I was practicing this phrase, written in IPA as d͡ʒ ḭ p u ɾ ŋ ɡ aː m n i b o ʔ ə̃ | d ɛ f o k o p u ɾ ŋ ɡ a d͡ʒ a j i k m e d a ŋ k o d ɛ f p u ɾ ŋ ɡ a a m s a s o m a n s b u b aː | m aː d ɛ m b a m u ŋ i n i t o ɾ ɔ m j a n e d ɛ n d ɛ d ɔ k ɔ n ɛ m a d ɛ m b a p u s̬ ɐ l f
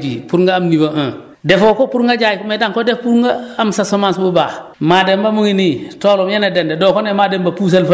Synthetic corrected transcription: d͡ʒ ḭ p u ɾ ŋ ɡ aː m n i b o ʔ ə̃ | d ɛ f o k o p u ɾ ŋ ɡ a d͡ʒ a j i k m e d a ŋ k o d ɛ f p u ɾ ŋ ɡ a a m s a s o m a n s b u b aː | m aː d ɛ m b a m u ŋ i n i t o l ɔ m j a n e d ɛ n d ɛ d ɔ k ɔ n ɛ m a d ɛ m b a p u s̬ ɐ l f